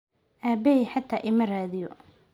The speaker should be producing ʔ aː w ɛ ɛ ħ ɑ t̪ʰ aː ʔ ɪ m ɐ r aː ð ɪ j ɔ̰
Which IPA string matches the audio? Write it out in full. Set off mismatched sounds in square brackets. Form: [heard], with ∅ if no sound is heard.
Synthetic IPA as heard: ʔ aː [b] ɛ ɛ ħ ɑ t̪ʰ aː ʔ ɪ m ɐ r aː ð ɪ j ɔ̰